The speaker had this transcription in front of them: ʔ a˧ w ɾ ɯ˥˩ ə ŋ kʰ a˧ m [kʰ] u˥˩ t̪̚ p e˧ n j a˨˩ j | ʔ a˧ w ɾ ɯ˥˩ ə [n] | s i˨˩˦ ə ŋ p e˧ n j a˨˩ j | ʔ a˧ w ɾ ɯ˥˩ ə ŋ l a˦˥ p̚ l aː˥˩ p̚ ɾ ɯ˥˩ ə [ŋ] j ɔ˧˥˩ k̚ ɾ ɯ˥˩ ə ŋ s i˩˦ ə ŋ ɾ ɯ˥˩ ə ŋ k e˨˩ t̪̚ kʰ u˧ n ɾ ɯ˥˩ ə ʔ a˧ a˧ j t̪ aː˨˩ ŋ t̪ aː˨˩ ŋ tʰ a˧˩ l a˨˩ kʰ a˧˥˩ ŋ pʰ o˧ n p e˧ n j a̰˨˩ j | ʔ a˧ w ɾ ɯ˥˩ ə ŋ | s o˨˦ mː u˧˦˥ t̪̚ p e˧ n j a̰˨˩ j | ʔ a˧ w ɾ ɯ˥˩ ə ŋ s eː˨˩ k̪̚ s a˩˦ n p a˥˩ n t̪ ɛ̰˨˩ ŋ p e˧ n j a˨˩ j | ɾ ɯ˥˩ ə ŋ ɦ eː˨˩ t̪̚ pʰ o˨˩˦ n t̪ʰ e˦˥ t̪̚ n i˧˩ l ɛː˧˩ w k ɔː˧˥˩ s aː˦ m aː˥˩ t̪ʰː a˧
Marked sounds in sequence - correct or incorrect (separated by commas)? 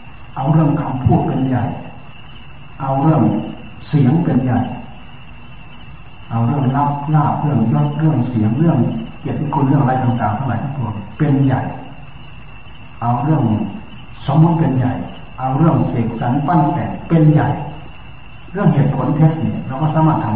incorrect, incorrect, correct